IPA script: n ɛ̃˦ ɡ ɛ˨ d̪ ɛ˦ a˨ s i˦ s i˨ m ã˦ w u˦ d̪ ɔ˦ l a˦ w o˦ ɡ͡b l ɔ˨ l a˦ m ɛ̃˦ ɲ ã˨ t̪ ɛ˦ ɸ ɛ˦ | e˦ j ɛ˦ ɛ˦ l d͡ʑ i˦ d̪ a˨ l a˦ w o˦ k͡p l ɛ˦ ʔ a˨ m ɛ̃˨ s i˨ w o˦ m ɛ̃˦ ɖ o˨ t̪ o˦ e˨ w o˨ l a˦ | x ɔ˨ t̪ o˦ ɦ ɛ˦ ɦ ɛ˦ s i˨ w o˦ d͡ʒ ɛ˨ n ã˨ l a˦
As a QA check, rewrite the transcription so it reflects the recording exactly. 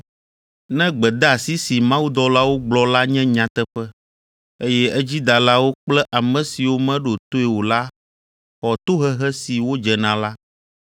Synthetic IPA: n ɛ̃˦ ɡ͡b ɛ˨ d̪ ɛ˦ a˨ s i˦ s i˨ m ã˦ w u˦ d̪ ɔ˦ l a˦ w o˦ ɡ͡b l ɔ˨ l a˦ ɲ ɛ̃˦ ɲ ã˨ t̪ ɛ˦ ɸ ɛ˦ | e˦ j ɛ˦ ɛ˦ d͡ʑ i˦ d̪ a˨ l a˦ w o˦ k͡p l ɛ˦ ʔ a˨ m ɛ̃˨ s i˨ w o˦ m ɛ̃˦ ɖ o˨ t̪ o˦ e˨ w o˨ l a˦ | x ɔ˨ t̪ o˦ ɦ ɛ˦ ɦ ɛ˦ s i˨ w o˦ d͡ʒ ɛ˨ n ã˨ l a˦